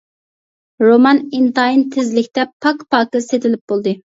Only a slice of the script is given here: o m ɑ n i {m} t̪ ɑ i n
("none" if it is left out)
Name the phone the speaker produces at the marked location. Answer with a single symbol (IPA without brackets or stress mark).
n